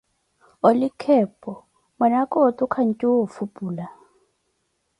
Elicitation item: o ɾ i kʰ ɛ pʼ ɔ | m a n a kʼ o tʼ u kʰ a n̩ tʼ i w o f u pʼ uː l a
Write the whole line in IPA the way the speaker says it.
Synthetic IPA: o l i kʰ ɛ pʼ ɔ | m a n a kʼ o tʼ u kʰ a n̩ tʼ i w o f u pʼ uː l a